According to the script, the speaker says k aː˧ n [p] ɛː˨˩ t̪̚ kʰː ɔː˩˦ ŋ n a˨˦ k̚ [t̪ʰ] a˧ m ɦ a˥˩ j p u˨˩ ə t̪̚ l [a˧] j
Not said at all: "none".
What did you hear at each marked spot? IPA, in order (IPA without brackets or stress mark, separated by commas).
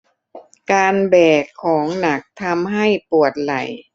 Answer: b, t̪ʰ, a˨˩